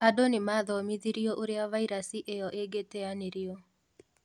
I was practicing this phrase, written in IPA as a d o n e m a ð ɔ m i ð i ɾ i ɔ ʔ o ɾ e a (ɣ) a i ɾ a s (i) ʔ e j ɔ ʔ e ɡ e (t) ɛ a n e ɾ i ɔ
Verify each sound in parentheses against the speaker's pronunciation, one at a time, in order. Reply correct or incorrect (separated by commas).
incorrect, correct, correct